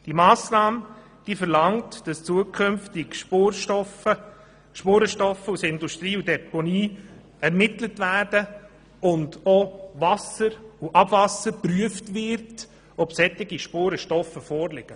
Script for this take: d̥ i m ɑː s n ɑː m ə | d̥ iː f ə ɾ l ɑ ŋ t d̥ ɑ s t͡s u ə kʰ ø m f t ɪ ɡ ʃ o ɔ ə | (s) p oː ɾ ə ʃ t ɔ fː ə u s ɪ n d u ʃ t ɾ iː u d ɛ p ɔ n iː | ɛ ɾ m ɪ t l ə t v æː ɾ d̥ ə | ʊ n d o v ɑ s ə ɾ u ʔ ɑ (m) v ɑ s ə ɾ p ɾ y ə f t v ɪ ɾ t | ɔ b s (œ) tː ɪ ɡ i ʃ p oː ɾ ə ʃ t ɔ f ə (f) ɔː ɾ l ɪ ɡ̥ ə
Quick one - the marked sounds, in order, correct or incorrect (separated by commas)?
incorrect, incorrect, incorrect, correct